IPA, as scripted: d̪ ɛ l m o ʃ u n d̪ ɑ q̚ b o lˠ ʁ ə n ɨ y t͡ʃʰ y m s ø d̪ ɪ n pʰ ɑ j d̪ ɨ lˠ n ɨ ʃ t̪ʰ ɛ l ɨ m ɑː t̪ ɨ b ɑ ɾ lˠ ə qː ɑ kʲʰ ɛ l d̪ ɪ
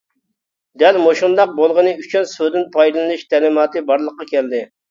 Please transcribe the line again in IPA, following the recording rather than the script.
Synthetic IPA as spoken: d̪ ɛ l m o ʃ u n d̪ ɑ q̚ b o lˠ ʁ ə n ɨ y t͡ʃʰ y n s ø d̪ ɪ n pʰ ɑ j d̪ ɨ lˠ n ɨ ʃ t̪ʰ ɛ l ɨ m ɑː t̪ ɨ b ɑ ɾ lˠ ə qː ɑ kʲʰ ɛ l d̪ ɪ